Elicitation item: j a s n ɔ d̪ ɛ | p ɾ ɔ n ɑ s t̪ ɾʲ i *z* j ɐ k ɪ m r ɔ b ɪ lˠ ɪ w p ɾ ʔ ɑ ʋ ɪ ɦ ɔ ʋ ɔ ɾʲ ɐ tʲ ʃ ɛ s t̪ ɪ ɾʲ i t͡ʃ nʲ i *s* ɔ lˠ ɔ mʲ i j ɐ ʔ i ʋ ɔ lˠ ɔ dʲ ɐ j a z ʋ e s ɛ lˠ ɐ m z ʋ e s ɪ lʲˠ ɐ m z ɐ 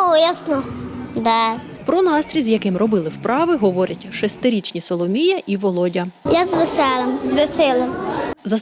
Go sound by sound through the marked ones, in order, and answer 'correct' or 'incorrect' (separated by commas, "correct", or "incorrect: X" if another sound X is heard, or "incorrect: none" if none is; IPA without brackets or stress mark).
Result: correct, correct